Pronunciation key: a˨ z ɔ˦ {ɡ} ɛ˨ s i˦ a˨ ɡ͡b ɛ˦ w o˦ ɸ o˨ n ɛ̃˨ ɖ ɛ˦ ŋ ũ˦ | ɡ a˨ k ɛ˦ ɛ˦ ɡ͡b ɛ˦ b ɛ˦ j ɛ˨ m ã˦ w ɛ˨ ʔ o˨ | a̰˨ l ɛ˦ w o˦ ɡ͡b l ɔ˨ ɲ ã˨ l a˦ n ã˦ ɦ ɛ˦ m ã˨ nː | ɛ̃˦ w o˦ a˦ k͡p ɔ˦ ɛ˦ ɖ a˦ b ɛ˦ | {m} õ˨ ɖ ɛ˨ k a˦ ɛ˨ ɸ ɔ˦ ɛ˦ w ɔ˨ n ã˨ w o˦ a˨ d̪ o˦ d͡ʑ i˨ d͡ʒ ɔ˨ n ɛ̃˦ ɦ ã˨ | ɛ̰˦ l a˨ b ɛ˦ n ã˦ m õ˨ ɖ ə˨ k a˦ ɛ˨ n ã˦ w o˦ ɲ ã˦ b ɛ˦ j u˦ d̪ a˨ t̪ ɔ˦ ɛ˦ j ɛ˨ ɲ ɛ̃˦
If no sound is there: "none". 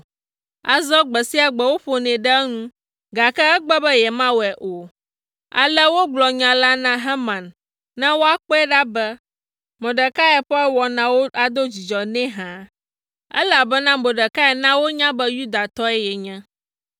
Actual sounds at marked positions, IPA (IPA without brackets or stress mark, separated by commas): ɡ͡b, m